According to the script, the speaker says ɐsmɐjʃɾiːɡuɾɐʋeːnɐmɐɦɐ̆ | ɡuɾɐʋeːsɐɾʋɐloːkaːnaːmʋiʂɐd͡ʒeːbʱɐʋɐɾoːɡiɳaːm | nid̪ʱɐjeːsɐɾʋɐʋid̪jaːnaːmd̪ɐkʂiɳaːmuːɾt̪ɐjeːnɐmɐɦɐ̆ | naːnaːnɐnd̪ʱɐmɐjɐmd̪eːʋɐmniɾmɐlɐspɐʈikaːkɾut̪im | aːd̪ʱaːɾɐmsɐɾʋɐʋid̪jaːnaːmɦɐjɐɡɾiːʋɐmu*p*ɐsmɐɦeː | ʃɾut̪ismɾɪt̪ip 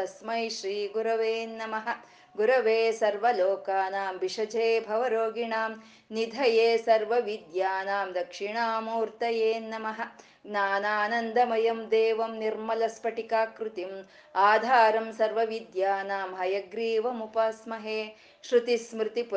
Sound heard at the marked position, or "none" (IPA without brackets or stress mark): p